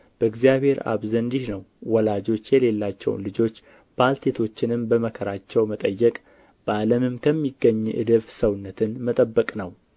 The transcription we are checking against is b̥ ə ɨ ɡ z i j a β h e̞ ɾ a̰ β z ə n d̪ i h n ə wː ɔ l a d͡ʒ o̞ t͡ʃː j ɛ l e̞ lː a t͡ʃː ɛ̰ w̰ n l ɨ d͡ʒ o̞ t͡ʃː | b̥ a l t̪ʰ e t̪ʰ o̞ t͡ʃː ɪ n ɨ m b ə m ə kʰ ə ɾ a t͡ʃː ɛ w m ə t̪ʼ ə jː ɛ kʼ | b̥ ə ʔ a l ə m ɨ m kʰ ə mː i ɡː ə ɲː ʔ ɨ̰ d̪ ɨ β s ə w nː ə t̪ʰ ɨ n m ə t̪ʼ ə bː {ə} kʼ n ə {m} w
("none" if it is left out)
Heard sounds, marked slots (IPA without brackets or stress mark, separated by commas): ə, none